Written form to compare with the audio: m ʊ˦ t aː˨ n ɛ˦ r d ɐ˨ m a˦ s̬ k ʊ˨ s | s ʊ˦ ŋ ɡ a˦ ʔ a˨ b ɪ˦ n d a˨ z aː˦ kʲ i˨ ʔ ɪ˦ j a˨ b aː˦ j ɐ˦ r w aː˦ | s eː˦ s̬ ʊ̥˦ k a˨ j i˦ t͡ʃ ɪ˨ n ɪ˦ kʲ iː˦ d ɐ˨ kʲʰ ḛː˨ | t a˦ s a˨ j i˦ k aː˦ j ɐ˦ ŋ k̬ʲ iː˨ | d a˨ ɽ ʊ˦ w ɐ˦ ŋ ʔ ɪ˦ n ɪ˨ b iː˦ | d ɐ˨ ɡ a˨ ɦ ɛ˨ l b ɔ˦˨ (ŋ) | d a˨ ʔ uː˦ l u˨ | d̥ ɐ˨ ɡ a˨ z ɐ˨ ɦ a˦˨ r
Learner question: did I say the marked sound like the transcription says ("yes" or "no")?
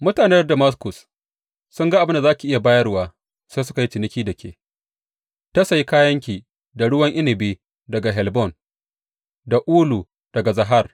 no